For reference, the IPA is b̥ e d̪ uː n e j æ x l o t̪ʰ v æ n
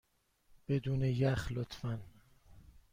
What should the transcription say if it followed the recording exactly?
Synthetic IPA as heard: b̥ e d̪ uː n e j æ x l o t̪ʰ f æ n